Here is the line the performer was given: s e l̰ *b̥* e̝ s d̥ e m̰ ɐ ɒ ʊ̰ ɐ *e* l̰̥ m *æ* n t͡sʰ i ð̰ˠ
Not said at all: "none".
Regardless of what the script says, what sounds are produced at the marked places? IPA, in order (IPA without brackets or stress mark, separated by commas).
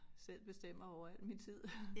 b̥, æ, i